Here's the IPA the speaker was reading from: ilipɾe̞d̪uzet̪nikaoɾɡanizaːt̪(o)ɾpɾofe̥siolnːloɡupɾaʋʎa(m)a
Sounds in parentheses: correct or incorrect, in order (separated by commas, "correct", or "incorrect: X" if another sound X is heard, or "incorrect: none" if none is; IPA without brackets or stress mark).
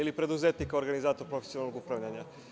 correct, incorrect: ɲ